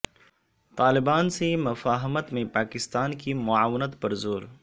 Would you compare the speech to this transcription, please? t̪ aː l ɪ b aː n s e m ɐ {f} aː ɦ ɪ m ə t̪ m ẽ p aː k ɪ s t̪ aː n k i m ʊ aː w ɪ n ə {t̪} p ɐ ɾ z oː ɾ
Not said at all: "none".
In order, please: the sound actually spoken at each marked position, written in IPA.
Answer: f, t̪

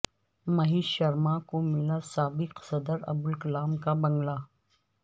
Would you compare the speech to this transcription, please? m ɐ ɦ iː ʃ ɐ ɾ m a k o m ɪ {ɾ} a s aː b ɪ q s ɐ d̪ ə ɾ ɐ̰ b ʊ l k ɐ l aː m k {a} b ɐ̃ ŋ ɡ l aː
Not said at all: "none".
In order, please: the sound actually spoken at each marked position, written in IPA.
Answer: l, a

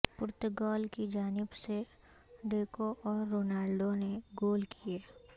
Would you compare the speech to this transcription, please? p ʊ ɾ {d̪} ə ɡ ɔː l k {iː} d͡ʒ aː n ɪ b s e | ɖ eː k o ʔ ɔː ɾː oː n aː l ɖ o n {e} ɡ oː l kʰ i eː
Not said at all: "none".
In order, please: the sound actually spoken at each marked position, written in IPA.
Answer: t̪, i, e

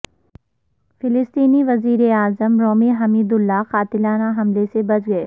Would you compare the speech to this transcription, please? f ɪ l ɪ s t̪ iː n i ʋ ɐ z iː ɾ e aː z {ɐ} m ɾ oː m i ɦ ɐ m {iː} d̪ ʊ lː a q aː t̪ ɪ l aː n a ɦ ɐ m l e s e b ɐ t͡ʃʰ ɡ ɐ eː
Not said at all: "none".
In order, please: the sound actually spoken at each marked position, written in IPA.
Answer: ə, iː

